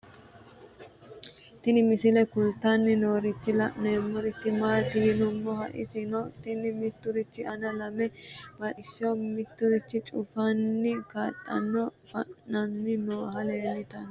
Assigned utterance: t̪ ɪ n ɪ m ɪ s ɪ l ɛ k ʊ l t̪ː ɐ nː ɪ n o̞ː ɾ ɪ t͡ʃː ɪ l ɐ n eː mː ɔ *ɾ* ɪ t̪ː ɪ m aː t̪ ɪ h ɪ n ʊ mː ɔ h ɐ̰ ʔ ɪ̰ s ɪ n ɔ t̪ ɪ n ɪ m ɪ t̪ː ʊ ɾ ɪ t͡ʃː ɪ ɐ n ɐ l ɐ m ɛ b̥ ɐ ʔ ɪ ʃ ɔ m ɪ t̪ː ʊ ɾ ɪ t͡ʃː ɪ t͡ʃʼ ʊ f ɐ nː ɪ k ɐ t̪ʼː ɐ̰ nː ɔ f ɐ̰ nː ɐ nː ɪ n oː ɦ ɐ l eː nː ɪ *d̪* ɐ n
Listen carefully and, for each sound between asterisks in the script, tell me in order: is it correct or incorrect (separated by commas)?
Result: correct, incorrect